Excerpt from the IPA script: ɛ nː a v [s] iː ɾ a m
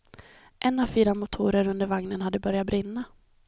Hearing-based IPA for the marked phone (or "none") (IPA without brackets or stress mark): f